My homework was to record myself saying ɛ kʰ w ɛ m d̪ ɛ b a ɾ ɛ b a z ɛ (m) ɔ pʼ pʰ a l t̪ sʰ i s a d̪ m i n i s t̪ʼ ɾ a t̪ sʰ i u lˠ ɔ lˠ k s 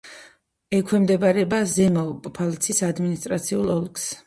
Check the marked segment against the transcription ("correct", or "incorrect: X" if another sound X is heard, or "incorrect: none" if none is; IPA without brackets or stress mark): correct